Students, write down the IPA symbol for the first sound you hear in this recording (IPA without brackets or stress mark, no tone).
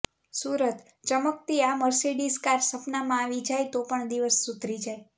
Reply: s